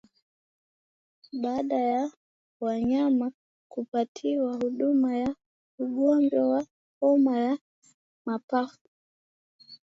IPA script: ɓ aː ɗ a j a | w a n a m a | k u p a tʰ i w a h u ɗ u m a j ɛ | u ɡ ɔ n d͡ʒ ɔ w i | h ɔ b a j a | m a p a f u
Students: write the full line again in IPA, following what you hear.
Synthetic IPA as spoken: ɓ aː ɗ a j a | w a ɲ a m a | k u p a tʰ i w a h u ɗ u m a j a | u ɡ ɔ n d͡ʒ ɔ w a | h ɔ m a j a | m a p a f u